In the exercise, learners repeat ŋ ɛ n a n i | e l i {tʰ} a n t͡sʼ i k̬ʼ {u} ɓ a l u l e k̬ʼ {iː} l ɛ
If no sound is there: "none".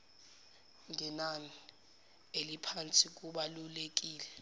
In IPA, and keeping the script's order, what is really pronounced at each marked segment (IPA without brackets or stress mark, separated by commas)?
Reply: pʰ, u, iː